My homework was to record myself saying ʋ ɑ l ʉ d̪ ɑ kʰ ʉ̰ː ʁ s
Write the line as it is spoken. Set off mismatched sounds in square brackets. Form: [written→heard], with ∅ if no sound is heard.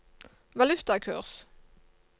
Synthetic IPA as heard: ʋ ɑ l ʉ [d̪→t̪] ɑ kʰ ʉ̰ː ʁ s